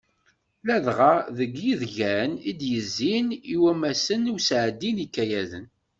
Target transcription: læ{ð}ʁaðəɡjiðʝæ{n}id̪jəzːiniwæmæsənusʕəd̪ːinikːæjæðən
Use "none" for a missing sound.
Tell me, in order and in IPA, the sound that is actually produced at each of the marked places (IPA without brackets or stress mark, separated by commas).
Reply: ð, n